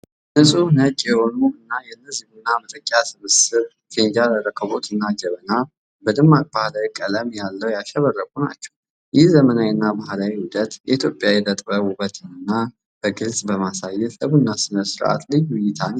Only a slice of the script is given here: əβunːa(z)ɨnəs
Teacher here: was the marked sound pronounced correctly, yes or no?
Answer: no